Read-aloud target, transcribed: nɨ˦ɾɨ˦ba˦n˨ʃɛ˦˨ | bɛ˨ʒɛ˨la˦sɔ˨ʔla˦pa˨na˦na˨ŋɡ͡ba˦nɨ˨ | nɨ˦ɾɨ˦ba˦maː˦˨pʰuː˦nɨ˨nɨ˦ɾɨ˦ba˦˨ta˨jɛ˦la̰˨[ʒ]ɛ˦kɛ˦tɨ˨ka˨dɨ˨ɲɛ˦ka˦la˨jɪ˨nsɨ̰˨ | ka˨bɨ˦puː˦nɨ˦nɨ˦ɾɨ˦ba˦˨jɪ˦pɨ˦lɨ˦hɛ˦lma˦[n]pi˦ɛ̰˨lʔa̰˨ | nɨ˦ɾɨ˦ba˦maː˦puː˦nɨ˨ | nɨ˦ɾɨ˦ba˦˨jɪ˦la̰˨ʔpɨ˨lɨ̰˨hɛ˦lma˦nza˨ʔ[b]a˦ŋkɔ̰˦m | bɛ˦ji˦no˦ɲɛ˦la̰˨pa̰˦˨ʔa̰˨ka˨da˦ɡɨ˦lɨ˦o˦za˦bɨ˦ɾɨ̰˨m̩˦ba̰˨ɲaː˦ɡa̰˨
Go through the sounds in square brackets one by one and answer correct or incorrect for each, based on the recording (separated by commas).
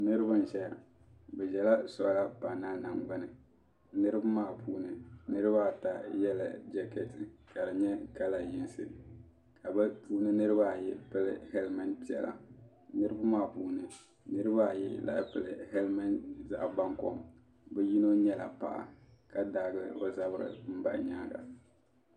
incorrect, correct, correct